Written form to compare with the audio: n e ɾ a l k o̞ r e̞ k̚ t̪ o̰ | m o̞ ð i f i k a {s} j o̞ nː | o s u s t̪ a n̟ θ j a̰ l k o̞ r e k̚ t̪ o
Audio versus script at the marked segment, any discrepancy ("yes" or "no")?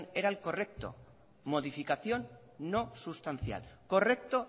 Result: yes